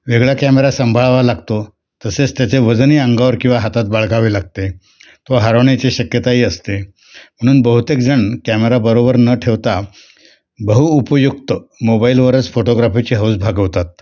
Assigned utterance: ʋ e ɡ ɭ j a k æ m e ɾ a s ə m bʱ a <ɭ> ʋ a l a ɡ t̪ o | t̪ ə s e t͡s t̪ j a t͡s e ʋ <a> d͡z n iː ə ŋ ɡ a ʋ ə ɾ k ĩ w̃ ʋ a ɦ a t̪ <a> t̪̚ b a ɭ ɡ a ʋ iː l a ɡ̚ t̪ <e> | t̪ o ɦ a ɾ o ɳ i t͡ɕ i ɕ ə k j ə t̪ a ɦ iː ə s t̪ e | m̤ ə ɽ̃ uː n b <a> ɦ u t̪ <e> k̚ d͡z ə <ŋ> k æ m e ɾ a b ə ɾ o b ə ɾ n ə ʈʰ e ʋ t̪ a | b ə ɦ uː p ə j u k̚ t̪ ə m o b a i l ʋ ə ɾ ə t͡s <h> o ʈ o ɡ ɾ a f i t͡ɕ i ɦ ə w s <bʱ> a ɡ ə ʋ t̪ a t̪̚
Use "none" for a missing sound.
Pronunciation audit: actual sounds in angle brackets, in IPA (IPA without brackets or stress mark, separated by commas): ɭ, ə, a, e, ə, e, ɳ, f, bʱ